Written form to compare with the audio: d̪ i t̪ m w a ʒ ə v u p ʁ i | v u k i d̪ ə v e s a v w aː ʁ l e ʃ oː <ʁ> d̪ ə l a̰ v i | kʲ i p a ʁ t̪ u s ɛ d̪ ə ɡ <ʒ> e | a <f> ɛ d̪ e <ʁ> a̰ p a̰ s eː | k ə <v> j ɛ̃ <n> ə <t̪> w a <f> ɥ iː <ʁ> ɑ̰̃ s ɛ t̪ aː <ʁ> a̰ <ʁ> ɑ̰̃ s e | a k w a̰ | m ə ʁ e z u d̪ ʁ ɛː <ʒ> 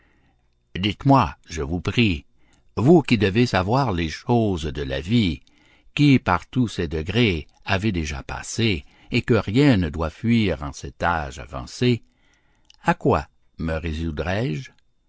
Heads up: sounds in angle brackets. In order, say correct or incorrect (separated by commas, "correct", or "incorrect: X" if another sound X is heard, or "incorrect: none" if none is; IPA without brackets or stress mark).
incorrect: z, incorrect: ʁ, incorrect: v, incorrect: ʒ, incorrect: ʁ, correct, incorrect: d̪, correct, correct, incorrect: ʒ, incorrect: v, correct